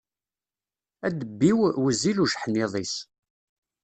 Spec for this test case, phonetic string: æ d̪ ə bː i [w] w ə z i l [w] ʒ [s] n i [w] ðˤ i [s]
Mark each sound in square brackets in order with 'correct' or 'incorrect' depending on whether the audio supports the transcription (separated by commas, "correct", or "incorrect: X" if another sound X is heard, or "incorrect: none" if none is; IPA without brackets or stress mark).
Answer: correct, incorrect: u, incorrect: ħ, incorrect: none, correct